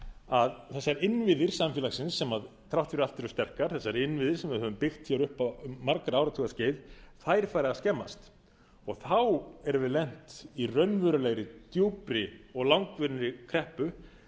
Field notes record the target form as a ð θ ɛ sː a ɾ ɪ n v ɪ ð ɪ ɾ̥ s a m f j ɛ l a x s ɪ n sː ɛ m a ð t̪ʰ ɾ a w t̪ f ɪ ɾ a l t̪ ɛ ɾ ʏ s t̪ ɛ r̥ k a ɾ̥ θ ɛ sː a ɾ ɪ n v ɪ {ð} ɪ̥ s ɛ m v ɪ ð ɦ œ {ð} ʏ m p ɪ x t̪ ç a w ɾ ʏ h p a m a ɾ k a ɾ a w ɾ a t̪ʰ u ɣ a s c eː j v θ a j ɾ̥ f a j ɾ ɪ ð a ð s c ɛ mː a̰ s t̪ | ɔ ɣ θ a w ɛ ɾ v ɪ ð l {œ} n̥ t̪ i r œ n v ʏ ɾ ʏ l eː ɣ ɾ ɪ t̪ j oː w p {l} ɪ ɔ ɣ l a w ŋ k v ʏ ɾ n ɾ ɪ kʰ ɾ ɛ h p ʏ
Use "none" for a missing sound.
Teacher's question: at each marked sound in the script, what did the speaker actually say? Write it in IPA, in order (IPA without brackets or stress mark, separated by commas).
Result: ð, v, ɛ, ɾ